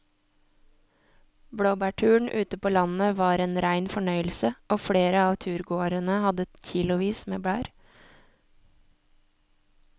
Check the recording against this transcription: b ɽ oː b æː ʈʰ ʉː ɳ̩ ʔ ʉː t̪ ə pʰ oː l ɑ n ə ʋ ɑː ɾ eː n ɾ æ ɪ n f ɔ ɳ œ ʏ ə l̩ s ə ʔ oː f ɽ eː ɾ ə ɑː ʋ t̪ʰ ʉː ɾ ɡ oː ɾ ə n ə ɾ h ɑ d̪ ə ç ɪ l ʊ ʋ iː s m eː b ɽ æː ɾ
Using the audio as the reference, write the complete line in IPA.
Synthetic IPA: b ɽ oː b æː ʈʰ ʉː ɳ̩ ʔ ʉː t̪ ə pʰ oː l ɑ n ə ʋ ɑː ɾ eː n ɾ æ ɪ n f ɔ ɳ œ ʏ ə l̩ s ə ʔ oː f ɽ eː ɾ ə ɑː ʋ t̪ʰ ʉː ɾ ɡ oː ɾ ə n ə h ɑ d̪ ə ç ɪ l ʊ ʋ iː s m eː b ɽ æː ɾ